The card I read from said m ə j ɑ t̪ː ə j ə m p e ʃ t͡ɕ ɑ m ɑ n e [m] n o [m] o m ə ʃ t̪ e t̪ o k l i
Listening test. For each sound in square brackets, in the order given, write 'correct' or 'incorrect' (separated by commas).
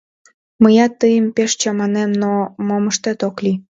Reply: correct, correct